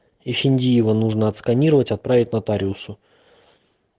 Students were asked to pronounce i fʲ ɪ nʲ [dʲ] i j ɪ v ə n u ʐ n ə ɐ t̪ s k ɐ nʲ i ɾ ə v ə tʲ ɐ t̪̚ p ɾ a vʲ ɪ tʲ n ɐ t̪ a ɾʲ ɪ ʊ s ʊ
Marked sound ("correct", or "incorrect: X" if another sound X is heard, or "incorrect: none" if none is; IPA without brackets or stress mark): correct